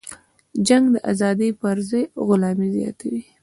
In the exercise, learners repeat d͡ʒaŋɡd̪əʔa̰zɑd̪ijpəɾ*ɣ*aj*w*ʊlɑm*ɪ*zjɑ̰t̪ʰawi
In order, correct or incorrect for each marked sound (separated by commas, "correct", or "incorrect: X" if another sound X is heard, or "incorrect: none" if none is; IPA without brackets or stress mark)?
incorrect: z, incorrect: ɣ, incorrect: i